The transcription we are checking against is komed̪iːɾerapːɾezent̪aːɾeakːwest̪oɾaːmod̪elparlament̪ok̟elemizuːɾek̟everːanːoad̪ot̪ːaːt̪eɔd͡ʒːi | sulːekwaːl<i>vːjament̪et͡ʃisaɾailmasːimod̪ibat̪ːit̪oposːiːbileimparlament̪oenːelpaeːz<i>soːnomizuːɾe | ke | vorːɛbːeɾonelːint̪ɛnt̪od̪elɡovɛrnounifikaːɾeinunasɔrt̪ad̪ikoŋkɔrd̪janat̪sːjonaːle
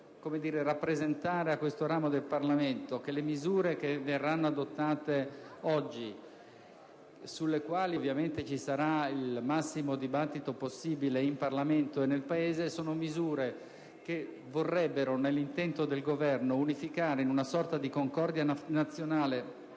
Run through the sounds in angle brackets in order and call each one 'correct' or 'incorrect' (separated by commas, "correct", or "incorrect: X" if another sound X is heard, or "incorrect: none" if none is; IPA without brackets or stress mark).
correct, incorrect: e